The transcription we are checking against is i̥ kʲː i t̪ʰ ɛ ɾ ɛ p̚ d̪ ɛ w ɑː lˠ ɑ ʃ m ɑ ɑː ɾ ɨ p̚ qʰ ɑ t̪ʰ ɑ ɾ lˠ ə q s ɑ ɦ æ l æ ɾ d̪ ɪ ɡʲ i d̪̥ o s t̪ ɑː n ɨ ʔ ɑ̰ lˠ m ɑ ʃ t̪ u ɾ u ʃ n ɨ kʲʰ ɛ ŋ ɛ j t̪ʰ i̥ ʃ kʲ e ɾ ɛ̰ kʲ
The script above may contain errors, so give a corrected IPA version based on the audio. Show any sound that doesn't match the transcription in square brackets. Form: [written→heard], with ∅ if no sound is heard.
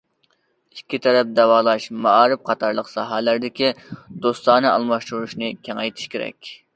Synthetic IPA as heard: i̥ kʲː i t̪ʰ ɛ ɾ ɛ p̚ d̪ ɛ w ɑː lˠ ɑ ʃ m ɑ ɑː ɾ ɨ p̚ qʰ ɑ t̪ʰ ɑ ɾ lˠ ə q s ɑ ɦ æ l æ ɾ d̪ ɪ [ɡʲ→kʲ] i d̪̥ o s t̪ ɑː n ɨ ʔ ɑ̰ lˠ m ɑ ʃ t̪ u ɾ u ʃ n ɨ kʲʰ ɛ ŋ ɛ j t̪ʰ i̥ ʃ kʲ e ɾ ɛ̰ kʲ